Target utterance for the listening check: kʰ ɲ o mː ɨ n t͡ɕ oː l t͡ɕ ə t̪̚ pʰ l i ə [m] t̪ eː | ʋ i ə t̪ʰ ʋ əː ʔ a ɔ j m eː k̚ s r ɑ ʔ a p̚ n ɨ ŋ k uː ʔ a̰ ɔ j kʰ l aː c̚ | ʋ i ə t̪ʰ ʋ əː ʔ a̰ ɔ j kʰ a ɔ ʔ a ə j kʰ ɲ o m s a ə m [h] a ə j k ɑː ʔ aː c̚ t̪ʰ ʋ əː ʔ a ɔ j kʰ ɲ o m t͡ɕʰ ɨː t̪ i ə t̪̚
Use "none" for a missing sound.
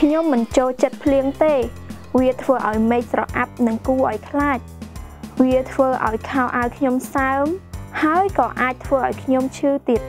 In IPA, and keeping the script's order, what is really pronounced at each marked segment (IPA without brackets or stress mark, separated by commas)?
ŋ, h